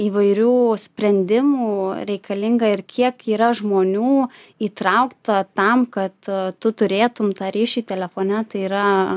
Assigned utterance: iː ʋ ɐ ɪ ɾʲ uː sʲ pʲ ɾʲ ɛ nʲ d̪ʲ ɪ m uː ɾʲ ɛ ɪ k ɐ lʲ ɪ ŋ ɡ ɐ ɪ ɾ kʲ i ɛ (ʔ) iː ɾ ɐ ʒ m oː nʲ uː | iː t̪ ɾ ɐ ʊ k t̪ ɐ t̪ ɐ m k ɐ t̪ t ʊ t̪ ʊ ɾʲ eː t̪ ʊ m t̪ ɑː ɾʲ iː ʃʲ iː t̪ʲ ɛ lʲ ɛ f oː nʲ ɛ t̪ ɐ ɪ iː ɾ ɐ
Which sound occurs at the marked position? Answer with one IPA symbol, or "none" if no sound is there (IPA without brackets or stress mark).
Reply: k